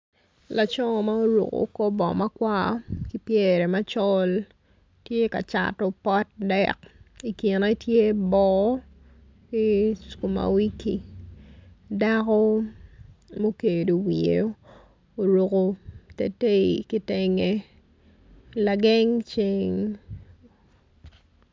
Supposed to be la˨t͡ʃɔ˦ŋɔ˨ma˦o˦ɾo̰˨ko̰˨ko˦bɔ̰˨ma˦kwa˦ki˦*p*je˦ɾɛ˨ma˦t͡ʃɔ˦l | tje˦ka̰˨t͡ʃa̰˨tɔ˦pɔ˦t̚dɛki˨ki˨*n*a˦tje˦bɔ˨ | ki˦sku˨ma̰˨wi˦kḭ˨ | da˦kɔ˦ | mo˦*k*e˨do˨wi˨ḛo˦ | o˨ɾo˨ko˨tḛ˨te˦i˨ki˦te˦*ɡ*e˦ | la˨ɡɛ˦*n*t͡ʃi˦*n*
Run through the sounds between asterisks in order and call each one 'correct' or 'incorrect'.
correct, correct, correct, incorrect: ŋ, incorrect: ŋ, incorrect: ŋ

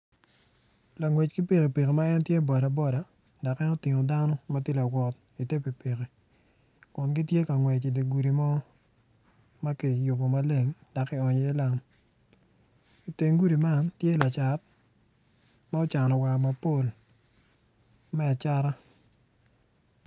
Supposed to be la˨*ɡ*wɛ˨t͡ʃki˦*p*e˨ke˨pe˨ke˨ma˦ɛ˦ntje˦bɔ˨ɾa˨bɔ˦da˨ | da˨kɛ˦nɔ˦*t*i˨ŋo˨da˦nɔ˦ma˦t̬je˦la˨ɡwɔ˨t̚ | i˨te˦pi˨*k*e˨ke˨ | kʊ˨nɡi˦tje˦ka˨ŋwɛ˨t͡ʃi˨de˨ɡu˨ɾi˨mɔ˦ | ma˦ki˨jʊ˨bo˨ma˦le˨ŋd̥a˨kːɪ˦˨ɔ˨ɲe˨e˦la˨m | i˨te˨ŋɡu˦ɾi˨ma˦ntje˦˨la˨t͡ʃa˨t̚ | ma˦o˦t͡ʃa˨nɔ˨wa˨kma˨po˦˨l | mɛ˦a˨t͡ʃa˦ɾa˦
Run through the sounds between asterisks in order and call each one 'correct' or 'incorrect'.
incorrect: ŋ, correct, correct, incorrect: p

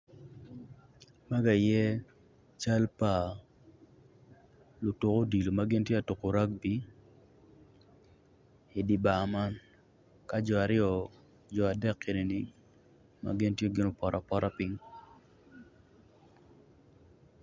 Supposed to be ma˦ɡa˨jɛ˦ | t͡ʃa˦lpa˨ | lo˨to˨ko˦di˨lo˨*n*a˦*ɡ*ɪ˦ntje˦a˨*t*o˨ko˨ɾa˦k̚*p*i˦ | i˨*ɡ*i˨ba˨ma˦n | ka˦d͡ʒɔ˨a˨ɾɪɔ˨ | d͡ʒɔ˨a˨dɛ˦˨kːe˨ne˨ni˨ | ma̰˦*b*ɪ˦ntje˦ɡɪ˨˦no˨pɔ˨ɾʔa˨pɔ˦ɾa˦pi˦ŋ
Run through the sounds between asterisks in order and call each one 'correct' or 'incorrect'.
incorrect: m, correct, correct, incorrect: b, incorrect: d, incorrect: ɡ

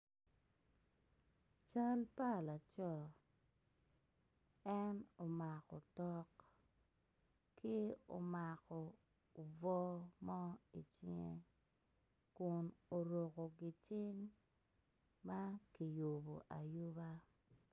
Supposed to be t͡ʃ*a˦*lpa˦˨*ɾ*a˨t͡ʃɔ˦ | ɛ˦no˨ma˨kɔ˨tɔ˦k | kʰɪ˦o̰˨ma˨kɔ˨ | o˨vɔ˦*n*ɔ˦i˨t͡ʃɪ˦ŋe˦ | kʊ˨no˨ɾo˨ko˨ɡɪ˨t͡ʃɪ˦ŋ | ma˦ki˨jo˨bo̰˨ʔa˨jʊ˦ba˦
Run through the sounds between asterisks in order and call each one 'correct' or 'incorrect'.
correct, incorrect: l, incorrect: m

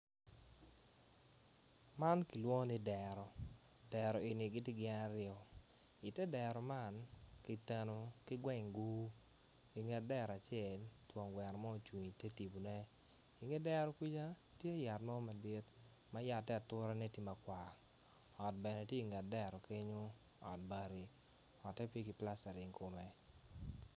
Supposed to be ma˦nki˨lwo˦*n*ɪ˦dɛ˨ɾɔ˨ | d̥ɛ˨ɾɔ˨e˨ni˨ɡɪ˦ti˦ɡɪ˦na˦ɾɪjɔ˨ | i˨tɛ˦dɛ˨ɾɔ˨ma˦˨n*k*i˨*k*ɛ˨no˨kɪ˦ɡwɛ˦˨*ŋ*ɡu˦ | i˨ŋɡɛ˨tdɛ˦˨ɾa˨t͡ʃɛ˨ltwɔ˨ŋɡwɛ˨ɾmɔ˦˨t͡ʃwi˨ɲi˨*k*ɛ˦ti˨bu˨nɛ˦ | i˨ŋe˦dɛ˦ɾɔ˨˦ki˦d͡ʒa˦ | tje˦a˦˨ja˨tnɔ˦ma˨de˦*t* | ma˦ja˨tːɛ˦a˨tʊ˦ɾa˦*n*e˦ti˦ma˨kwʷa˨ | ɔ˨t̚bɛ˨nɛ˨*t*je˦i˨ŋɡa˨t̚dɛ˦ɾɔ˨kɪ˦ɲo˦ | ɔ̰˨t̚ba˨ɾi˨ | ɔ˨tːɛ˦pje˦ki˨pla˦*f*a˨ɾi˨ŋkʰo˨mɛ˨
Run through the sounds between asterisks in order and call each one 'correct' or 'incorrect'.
correct, correct, incorrect: t, correct, incorrect: t, correct, correct, correct, incorrect: s

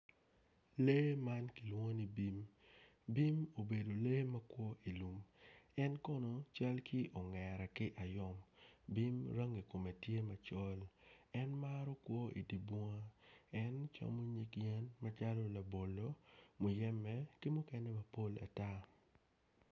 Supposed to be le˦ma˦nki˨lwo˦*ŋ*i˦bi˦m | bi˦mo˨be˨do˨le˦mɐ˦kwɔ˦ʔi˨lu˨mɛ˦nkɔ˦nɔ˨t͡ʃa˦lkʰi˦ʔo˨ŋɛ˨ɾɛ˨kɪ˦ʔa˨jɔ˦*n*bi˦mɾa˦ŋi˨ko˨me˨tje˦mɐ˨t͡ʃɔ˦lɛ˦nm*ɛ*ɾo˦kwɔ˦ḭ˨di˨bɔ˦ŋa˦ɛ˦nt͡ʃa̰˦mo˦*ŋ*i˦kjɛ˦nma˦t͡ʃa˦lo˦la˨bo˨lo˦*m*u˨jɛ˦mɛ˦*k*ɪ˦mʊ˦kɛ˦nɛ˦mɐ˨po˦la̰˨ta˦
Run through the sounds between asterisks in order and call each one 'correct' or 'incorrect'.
incorrect: n, incorrect: m, incorrect: a, incorrect: ɲ, correct, correct

